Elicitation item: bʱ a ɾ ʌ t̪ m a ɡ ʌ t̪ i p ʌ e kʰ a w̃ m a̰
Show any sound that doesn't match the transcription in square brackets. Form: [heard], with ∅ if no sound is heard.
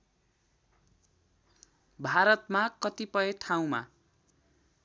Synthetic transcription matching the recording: bʱ a ɾ ʌ t̪ m a [k] ʌ t̪ i p ʌ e [ʈʰ] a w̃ m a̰